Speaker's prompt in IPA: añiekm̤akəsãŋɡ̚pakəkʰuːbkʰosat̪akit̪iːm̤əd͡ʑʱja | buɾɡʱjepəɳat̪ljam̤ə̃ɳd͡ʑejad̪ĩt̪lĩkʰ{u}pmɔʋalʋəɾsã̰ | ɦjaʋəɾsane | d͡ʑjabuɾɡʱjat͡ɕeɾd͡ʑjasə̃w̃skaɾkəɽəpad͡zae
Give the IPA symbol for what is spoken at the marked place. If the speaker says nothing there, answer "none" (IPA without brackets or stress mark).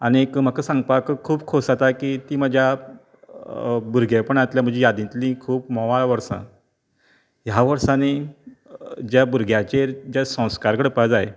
uː